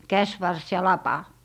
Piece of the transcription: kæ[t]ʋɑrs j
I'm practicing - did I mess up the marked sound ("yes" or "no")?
yes